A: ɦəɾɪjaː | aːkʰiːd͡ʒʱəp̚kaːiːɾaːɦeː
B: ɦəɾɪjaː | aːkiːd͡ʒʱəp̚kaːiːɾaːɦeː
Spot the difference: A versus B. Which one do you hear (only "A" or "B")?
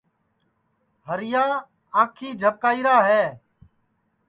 A